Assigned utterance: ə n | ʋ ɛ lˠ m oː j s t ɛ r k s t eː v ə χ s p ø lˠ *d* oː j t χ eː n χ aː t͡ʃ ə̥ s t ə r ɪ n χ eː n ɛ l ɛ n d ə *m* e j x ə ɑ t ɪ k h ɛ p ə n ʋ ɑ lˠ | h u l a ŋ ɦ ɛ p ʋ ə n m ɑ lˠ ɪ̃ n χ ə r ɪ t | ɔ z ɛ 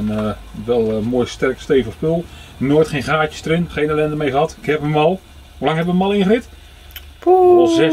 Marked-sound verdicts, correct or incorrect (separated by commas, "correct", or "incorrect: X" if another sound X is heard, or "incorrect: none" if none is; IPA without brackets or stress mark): incorrect: n, correct